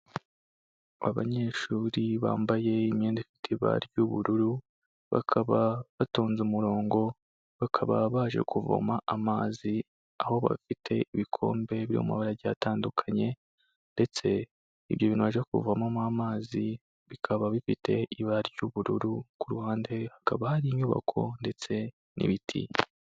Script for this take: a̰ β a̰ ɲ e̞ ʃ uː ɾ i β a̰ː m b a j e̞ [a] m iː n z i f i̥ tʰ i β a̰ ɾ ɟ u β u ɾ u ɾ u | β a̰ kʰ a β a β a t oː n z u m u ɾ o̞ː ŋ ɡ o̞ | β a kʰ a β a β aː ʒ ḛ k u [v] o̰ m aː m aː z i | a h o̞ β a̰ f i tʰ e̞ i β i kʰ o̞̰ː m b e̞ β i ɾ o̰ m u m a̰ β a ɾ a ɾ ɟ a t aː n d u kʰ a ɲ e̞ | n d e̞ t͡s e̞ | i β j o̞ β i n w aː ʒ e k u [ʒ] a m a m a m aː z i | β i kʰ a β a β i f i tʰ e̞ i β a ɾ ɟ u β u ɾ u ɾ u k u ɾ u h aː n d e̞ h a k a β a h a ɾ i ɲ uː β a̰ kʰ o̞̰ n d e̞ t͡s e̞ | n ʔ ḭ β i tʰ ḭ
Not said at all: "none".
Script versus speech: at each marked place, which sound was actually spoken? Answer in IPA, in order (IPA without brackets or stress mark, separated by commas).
i, v, v